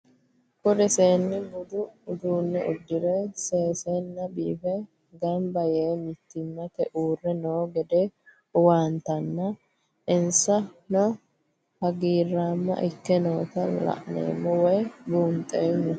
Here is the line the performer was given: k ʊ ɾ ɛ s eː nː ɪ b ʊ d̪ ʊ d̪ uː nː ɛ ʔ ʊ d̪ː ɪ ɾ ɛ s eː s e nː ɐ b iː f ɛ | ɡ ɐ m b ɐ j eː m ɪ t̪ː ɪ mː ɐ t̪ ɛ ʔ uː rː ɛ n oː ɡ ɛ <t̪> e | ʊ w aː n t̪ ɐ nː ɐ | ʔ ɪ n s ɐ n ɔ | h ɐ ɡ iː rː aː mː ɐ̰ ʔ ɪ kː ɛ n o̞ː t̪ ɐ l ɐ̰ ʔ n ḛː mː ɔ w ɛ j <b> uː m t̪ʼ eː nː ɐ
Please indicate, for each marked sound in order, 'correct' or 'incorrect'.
incorrect: d̪, correct

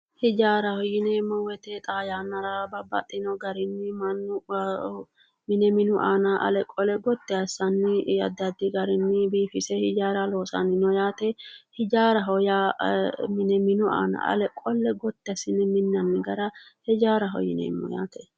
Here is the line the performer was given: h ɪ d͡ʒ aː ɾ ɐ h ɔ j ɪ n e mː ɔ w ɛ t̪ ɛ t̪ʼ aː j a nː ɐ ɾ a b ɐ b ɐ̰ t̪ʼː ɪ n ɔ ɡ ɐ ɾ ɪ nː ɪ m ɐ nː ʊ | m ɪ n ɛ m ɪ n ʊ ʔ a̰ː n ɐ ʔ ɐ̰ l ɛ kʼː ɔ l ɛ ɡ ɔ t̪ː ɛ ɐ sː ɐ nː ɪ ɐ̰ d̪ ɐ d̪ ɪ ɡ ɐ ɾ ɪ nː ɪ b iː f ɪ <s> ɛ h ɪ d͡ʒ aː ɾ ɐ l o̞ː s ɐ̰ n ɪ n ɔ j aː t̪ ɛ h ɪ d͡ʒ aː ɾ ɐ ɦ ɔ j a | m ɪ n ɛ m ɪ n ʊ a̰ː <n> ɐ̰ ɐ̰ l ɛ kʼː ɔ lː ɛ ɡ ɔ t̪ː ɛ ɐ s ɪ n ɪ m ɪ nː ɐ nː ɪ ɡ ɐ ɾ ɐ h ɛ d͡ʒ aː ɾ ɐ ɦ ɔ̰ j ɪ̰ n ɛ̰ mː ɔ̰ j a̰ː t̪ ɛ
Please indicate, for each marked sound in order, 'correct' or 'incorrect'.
correct, correct

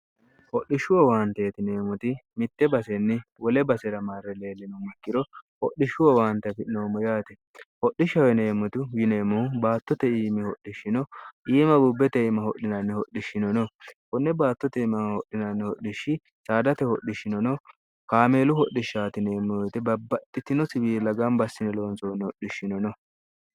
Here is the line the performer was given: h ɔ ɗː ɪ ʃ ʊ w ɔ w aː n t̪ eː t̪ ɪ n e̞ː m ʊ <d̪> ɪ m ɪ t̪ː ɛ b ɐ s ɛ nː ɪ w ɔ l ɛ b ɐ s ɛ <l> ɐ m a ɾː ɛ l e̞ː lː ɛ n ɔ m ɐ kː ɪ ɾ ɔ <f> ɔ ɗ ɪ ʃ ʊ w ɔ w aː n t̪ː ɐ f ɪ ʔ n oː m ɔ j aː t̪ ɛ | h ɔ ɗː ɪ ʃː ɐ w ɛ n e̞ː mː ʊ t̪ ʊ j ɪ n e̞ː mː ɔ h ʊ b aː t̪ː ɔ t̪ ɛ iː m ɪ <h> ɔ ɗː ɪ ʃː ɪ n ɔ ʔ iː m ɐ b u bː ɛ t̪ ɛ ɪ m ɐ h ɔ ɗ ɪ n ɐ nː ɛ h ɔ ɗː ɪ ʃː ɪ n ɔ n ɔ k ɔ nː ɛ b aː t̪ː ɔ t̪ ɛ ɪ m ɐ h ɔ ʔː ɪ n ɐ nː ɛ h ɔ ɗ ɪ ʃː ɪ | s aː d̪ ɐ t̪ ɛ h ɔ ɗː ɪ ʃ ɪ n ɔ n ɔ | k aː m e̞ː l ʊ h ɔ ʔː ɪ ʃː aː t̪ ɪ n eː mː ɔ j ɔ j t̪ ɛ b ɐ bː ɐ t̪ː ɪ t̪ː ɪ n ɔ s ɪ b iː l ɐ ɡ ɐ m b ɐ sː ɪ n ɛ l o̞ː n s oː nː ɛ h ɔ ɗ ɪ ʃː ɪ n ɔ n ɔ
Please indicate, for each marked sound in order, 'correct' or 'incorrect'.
incorrect: t̪, incorrect: ɾ, incorrect: h, correct

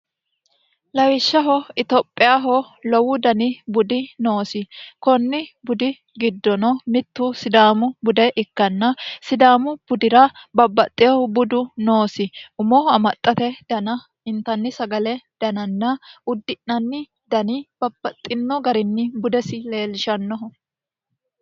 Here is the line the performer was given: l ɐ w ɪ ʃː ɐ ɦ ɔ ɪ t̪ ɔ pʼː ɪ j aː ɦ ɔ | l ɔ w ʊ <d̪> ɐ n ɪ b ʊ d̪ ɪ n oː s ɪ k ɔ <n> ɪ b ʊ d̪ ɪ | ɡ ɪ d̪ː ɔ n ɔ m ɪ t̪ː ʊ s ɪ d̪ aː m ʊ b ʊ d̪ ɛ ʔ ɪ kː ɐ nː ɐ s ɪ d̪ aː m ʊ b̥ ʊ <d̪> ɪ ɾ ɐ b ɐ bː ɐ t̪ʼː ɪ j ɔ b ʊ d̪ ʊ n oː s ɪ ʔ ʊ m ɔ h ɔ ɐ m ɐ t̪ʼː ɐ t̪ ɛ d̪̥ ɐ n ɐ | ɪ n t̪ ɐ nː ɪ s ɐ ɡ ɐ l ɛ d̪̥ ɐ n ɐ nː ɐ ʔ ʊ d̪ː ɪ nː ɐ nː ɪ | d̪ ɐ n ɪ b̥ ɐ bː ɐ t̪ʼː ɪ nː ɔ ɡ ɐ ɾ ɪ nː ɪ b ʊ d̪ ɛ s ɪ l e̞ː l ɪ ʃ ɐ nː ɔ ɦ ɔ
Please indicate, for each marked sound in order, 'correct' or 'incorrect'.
correct, incorrect: nː, correct

